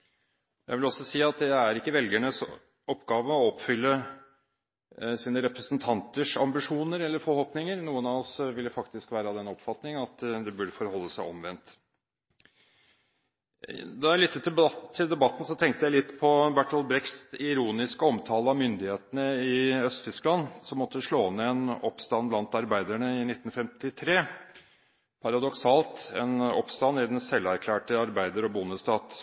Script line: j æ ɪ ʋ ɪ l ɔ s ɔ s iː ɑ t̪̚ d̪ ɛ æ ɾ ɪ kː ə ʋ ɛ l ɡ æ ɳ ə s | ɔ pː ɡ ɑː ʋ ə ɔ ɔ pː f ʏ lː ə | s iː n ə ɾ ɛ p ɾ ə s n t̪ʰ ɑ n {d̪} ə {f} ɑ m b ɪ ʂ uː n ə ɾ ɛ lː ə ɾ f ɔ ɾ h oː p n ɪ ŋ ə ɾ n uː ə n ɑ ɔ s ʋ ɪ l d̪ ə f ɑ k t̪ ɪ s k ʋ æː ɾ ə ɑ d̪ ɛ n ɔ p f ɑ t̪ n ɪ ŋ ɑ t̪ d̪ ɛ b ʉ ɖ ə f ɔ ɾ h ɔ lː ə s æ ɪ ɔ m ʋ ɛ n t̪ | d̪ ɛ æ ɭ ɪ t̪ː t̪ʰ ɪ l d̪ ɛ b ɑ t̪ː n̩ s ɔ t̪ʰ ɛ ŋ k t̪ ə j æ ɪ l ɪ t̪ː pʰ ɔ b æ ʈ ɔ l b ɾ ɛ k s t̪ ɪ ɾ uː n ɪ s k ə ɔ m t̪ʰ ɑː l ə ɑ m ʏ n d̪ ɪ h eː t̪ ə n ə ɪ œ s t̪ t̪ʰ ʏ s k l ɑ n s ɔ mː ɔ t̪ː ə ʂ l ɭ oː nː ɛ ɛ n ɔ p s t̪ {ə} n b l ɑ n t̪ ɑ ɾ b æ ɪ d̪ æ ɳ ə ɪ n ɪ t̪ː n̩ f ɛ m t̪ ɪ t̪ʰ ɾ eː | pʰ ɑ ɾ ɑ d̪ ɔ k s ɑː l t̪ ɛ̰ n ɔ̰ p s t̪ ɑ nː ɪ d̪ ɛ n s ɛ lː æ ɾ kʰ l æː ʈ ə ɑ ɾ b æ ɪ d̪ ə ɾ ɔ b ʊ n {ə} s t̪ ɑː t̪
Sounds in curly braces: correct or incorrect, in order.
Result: incorrect, incorrect, incorrect, correct

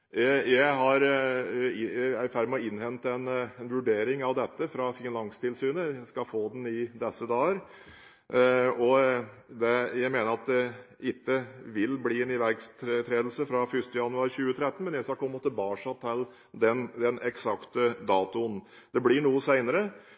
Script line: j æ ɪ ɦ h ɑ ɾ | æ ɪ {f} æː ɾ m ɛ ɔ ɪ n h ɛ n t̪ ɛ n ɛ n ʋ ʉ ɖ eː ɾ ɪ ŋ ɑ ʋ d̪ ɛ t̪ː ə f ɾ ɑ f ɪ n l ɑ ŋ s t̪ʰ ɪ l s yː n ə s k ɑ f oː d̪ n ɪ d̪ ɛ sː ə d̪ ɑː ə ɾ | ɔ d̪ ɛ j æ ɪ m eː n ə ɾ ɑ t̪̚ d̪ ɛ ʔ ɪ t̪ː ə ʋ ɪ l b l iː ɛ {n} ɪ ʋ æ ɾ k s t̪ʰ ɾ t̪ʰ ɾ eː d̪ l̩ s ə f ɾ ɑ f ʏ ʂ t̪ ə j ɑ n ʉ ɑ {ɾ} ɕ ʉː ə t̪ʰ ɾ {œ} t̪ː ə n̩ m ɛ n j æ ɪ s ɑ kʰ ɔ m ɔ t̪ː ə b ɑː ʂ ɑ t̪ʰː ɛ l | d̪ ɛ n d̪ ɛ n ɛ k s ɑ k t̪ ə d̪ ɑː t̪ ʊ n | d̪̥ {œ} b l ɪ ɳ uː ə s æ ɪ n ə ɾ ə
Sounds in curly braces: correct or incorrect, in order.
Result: correct, correct, correct, incorrect, incorrect

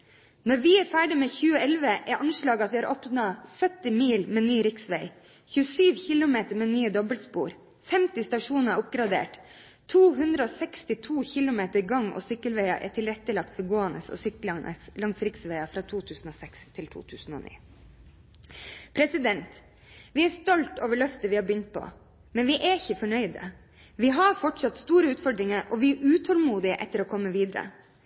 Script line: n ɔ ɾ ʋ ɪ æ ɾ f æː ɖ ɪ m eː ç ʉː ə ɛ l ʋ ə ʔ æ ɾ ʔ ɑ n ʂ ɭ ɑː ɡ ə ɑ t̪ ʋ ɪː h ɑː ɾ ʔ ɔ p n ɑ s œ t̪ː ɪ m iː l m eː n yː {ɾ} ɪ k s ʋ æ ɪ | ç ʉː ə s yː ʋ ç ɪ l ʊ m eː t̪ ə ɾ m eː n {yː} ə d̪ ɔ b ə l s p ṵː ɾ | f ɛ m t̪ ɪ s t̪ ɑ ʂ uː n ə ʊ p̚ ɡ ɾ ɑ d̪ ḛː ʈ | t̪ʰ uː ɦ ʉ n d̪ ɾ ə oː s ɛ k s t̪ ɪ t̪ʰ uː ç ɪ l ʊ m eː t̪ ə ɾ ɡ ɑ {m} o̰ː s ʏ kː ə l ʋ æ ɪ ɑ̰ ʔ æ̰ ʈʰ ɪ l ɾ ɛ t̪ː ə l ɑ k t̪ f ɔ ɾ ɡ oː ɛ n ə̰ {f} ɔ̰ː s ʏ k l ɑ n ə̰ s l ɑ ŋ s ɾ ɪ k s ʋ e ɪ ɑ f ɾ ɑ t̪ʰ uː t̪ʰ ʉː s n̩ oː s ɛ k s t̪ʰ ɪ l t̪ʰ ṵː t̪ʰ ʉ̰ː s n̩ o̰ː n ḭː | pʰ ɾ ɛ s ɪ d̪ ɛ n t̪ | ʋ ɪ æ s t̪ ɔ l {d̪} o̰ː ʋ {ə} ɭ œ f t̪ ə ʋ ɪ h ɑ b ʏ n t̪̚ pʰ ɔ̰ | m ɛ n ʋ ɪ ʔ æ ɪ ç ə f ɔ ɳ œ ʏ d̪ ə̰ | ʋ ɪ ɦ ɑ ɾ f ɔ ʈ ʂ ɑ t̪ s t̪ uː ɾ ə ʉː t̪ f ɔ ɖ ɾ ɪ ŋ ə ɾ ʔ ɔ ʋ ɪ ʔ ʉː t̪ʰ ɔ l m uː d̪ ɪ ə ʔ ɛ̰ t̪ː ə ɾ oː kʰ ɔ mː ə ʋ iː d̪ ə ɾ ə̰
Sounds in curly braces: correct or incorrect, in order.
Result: correct, correct, incorrect, incorrect, incorrect, correct

